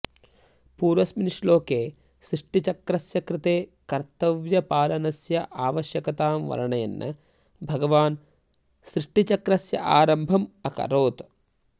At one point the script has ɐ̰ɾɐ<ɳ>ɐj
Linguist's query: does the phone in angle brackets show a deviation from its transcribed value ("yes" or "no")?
no